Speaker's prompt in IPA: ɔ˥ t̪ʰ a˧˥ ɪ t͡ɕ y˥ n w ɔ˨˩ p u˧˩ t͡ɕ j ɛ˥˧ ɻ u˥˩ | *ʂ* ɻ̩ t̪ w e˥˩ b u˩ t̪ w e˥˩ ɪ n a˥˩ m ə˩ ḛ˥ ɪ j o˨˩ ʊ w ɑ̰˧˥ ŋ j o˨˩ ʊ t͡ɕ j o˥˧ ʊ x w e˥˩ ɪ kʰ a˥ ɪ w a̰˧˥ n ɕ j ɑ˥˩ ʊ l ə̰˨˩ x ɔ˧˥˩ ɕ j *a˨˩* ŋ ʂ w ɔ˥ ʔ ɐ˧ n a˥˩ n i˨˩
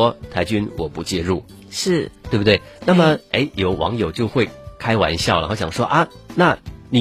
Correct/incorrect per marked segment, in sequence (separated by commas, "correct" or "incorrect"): correct, incorrect